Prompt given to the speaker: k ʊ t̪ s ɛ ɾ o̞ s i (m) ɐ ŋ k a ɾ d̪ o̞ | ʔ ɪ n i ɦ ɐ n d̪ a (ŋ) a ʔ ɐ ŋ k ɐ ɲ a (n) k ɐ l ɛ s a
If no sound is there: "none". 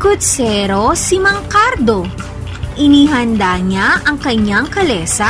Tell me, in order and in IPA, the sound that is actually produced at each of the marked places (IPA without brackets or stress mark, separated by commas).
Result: m, ɲ, ŋ